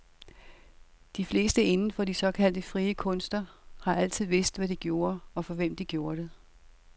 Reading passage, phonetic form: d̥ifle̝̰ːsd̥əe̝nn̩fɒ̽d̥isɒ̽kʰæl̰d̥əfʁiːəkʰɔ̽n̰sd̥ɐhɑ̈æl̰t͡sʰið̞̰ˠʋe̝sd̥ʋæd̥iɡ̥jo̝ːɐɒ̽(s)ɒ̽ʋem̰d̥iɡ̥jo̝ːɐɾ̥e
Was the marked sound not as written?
yes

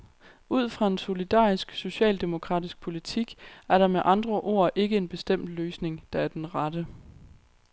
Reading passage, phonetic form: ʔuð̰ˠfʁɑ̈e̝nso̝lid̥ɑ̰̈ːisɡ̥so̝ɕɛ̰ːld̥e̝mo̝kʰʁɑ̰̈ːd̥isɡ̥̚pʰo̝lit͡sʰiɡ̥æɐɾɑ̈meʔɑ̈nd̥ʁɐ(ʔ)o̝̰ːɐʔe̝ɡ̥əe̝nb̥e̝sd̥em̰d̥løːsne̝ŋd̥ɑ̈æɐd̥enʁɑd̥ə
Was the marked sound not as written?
no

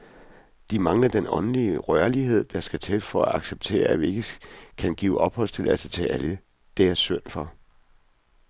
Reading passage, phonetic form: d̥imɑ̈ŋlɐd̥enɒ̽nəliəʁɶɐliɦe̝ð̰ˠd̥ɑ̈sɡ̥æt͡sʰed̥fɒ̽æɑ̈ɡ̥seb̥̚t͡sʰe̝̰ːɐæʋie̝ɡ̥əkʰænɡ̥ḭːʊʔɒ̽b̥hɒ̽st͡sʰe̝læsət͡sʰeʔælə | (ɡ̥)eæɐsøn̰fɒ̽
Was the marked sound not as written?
yes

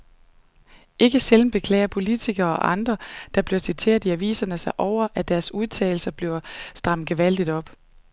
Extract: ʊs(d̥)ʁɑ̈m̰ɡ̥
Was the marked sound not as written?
no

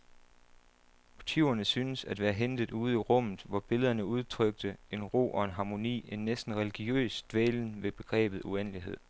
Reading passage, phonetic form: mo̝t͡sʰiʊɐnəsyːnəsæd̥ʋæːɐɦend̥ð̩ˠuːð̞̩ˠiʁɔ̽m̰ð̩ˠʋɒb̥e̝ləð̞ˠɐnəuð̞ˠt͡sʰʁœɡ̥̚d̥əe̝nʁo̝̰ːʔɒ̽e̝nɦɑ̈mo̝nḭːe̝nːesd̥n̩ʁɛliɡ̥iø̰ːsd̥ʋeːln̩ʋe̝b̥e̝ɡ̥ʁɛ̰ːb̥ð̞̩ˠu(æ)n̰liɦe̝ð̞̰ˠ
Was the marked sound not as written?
yes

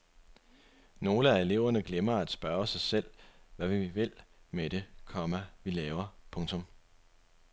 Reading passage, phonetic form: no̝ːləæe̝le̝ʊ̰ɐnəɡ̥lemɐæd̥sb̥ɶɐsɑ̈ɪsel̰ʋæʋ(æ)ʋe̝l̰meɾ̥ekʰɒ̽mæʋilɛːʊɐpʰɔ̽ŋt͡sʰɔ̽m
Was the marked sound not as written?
yes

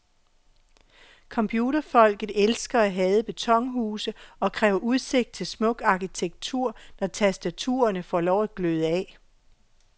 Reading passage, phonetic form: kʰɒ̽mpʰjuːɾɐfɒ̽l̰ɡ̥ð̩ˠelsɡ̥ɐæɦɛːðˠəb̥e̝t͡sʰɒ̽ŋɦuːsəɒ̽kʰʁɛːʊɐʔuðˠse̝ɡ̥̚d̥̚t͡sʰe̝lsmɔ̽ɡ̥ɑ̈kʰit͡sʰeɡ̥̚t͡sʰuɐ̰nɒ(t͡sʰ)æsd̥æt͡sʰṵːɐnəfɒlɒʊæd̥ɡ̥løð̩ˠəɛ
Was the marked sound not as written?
no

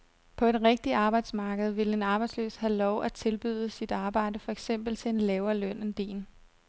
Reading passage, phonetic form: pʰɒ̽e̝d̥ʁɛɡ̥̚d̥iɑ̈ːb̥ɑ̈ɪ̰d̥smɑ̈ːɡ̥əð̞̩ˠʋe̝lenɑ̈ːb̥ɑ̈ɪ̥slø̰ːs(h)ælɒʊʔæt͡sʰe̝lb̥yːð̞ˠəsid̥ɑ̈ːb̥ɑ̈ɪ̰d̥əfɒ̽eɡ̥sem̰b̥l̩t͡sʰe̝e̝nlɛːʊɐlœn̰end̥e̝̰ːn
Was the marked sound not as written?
no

